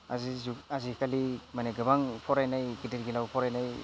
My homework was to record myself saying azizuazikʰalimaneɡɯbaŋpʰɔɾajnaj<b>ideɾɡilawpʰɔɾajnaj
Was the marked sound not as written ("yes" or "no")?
yes